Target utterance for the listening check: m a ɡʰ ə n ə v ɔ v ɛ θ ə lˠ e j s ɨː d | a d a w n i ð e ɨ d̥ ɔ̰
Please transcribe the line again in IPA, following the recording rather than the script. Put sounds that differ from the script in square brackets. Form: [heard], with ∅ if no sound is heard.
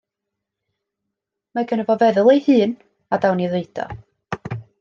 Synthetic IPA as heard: m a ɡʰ ə n ə v ɔ v ɛ [ð] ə lˠ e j [h] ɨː [n] | a d a w n i ð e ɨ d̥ ɔ̰